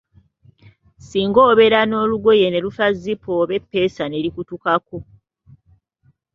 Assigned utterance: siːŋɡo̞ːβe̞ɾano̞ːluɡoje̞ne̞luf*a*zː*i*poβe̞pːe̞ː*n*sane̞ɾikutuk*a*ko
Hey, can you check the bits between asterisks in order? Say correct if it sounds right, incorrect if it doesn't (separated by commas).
correct, correct, incorrect, correct